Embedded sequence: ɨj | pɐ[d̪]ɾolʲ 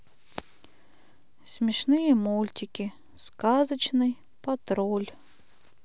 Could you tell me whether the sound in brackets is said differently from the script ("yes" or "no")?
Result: yes